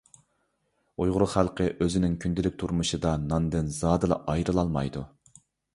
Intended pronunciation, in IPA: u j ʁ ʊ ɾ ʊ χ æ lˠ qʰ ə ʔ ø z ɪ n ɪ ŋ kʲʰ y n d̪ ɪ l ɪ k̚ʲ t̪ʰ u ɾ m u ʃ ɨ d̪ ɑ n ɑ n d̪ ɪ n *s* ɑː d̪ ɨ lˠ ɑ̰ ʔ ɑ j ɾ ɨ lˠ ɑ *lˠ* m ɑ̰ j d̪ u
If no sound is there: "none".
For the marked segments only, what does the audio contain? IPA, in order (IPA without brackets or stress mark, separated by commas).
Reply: z, lˠ